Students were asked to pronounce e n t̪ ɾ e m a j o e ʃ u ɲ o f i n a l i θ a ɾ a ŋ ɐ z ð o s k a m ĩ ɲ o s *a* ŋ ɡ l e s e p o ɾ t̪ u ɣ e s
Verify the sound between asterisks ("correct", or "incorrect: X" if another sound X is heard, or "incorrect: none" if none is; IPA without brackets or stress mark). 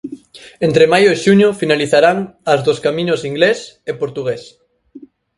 incorrect: i